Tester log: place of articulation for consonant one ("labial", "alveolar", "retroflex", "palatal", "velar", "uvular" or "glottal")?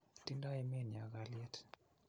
alveolar